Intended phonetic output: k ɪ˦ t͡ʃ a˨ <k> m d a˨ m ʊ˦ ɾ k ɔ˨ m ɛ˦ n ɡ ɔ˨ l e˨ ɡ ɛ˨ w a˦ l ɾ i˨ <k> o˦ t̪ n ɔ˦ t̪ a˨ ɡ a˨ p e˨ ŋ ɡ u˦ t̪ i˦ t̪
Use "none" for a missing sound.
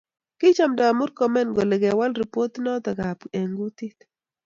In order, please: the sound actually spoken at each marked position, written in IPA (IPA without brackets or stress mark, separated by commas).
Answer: none, p